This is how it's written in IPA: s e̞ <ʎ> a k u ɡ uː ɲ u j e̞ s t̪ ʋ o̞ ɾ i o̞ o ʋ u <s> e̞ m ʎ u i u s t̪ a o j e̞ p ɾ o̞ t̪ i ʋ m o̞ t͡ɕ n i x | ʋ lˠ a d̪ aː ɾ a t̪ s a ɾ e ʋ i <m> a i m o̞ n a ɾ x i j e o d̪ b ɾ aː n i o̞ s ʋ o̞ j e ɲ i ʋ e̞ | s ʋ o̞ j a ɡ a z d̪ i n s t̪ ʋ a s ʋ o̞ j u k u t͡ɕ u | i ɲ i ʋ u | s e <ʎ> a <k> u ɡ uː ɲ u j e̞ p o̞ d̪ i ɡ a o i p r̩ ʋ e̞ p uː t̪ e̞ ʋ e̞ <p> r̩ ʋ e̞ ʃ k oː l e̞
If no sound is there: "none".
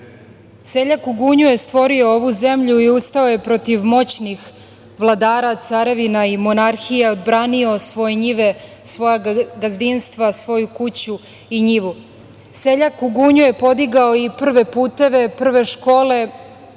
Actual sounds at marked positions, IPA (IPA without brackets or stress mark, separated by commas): ʎ, z, n, ʎ, k, p